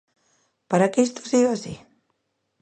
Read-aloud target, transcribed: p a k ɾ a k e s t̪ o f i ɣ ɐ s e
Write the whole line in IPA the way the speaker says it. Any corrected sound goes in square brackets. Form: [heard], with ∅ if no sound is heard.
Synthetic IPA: p a [∅] ɾ a k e s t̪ o [s] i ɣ [a] s [i]